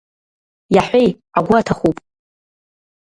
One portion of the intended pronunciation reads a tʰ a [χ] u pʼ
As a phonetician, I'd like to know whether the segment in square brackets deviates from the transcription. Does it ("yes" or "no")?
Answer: no